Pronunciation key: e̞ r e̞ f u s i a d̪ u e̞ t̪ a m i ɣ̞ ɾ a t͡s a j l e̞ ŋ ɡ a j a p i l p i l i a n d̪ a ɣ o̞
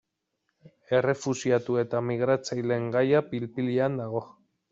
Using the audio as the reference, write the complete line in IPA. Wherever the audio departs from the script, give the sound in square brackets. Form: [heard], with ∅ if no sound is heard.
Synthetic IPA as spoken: e̞ r e̞ f u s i a [t̪] u e̞ t̪ a m i ɣ̞ ɾ a t͡s a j l e̞ ŋ ɡ a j a p i l p i l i a n d̪ a ɣ o̞